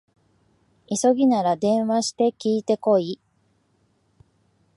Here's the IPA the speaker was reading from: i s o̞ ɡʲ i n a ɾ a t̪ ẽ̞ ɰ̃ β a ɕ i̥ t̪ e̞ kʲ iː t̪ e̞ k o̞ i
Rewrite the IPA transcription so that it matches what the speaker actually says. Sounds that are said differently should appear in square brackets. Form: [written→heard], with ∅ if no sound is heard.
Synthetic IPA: i s o̞ ɡʲ i n a ɾ a [t̪→d̪] ẽ̞ ɰ̃ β a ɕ i̥ t̪ e̞ kʲ iː t̪ e̞ k o̞ i